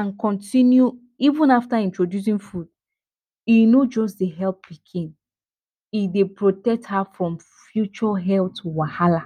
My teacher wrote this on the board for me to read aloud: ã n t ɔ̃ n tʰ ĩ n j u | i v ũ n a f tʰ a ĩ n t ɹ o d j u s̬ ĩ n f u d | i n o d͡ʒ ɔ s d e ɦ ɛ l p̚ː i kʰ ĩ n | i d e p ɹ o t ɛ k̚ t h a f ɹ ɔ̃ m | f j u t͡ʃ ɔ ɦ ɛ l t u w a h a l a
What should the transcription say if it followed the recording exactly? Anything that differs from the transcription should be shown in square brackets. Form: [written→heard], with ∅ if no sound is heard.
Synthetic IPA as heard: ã n [t→k] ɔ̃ n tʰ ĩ n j u | i v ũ n a f [tʰ→t] a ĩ n t ɹ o d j u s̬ ĩ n f u d | i n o d͡ʒ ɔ s d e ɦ ɛ l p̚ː i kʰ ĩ n | i d e p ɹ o t ɛ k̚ t h a f ɹ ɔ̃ m | f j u t͡ʃ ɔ ɦ ɛ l t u w a h a l a